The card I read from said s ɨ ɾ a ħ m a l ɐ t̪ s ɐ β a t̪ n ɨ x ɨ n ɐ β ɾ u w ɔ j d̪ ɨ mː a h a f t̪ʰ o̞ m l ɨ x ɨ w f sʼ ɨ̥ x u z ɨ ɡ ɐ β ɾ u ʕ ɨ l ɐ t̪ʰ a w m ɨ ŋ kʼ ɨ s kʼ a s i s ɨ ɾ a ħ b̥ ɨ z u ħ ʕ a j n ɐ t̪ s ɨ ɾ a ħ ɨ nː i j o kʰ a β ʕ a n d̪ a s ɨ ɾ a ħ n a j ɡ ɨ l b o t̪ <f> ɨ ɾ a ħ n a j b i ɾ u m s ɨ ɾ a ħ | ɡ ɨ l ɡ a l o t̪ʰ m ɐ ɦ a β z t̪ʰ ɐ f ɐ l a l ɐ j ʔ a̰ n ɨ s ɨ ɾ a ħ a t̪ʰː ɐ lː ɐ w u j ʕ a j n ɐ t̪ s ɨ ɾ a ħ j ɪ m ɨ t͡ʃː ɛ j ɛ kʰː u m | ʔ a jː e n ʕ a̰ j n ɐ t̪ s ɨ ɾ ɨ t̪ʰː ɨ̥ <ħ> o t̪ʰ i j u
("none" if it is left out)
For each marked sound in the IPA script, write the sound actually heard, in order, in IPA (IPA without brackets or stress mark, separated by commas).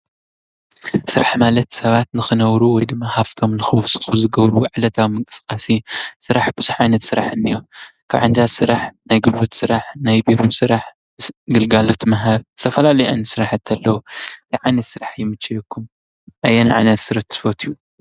s, f